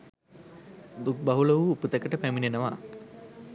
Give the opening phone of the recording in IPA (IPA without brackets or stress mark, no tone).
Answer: d̪